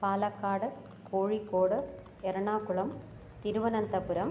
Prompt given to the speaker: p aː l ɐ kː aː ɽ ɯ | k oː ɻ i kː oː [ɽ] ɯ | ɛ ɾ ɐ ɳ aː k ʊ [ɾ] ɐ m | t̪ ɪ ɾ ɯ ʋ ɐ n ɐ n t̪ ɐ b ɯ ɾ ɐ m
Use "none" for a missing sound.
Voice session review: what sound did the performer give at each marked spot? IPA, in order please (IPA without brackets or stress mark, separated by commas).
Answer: ɽ, ɭ